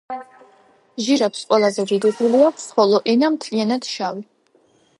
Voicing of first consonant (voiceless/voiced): voiced